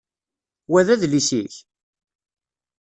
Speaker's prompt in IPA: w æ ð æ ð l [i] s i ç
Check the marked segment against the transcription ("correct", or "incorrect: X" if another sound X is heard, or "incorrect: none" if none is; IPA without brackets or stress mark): correct